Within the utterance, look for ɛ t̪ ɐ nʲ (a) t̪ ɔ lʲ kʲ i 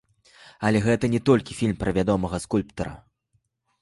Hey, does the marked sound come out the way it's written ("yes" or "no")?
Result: no